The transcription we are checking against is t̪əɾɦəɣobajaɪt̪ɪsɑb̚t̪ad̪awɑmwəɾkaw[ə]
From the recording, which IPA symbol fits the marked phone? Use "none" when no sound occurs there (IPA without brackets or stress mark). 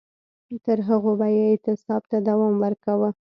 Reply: ə